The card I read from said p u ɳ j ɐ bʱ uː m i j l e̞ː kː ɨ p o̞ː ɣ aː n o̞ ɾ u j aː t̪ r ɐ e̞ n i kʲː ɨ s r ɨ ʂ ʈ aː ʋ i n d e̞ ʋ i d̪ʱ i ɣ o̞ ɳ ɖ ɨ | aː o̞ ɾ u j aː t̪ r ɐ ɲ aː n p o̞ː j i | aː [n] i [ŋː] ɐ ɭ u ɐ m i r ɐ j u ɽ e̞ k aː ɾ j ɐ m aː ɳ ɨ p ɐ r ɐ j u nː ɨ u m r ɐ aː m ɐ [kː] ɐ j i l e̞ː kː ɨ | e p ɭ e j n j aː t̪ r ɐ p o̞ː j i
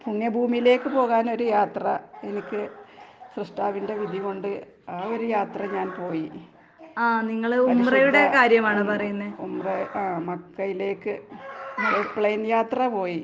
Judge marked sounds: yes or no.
yes, yes, yes

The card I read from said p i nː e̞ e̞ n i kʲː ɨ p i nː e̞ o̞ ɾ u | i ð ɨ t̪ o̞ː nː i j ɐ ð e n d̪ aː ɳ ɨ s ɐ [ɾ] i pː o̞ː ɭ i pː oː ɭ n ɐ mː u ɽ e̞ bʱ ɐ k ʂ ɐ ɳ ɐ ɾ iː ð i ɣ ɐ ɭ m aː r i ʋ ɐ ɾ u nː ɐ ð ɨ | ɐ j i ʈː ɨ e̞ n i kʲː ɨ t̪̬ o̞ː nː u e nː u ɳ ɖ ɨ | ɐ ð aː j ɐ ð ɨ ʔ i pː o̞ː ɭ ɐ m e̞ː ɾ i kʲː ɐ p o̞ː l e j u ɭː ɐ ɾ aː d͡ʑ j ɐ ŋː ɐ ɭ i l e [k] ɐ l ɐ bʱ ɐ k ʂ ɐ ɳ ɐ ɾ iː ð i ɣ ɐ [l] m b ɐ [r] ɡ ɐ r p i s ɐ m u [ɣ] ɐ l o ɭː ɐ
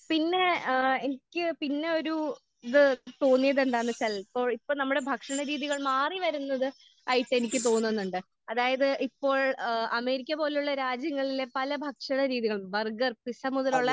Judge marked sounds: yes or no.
no, no, no, yes, no

